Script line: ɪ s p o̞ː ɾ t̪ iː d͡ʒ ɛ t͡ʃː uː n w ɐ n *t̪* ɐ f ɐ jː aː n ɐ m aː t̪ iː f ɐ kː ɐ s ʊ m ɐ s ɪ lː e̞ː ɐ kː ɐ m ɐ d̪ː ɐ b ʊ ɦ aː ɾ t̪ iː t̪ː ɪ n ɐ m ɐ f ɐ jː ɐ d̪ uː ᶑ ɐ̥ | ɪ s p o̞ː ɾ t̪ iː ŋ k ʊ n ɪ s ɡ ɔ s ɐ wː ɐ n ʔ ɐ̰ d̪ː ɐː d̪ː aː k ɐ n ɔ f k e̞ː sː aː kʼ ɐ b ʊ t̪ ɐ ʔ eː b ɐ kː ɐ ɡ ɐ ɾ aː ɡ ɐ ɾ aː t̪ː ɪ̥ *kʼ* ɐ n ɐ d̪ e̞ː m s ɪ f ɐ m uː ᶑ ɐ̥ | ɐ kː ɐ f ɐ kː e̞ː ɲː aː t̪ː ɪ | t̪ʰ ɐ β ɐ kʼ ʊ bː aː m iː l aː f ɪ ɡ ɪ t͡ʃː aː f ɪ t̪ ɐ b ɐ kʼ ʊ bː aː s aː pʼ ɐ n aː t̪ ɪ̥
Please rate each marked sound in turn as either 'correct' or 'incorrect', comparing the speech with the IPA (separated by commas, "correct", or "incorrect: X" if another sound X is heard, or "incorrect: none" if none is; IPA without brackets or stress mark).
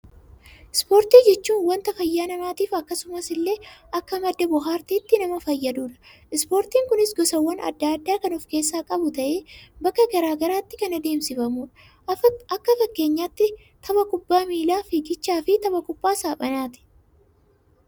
correct, incorrect: k